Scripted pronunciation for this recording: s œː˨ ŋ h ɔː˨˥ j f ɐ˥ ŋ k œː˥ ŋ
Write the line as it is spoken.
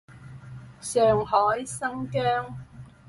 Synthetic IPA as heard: s œː˨ ŋ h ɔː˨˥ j s ɐ˥ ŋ k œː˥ ŋ